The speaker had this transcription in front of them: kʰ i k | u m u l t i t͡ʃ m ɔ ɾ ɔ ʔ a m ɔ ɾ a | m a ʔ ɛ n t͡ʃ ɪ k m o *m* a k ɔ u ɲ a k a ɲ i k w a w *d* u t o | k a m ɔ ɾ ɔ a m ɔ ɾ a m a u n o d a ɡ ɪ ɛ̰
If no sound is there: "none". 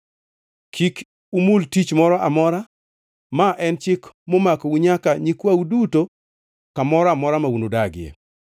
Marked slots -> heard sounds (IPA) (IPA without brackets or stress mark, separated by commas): m, d